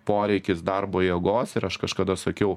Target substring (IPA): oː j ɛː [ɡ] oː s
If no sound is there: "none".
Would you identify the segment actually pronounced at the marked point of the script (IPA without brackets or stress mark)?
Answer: ɡ